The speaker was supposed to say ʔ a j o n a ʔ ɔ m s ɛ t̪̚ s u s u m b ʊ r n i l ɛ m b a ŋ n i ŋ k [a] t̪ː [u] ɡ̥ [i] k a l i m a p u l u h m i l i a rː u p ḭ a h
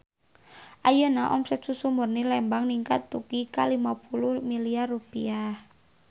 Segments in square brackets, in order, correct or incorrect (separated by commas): correct, correct, correct